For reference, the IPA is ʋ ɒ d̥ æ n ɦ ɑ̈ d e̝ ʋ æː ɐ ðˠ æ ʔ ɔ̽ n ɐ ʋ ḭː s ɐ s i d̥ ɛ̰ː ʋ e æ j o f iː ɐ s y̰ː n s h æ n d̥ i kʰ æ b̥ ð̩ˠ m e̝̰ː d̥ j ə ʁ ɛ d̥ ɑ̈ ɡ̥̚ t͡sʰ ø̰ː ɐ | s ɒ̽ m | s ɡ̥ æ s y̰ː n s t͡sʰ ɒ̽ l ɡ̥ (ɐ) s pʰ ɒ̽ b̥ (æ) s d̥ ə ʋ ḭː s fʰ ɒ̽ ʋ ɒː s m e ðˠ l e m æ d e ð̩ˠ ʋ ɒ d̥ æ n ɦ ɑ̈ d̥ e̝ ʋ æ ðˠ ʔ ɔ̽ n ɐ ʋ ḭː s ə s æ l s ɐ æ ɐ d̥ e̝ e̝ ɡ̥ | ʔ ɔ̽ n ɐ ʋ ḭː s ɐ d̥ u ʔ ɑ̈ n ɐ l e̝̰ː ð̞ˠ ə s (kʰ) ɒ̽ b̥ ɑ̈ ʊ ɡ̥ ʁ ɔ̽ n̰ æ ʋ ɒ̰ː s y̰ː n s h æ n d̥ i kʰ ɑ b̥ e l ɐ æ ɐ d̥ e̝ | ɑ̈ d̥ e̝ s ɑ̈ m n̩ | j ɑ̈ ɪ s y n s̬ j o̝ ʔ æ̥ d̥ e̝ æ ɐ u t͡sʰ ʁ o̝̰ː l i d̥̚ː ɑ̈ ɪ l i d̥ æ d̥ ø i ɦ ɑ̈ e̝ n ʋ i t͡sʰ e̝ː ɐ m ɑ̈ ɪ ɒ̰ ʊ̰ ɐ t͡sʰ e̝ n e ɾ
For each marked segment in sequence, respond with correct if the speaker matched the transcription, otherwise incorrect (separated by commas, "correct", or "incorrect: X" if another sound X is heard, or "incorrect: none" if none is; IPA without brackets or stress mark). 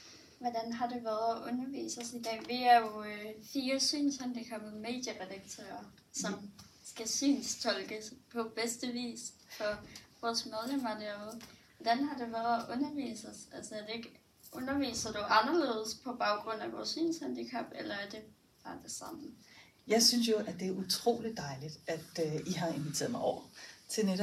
incorrect: ə, incorrect: e, incorrect: pʰ